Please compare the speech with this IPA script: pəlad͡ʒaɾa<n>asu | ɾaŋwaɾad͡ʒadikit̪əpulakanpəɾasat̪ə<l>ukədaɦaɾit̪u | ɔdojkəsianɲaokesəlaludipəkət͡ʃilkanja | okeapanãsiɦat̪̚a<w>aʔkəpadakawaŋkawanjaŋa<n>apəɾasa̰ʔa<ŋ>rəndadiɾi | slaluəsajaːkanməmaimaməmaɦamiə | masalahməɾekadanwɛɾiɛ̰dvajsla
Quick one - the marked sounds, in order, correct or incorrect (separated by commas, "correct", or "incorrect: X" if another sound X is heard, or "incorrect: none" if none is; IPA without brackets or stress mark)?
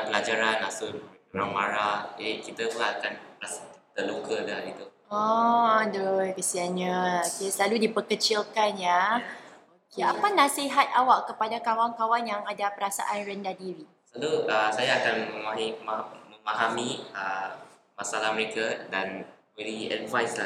correct, correct, correct, incorrect: d, incorrect: n